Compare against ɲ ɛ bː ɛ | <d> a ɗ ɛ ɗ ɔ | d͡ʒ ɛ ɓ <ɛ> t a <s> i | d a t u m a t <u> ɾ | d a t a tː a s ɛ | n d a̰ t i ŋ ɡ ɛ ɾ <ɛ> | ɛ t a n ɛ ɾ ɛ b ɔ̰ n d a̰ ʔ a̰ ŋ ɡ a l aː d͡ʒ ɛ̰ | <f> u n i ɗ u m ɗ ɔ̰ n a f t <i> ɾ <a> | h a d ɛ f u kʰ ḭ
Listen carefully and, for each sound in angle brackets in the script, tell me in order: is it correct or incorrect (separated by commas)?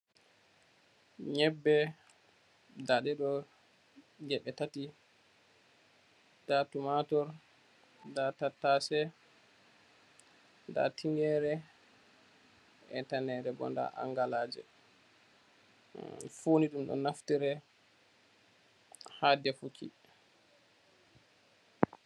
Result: correct, correct, incorrect, incorrect, correct, correct, correct, incorrect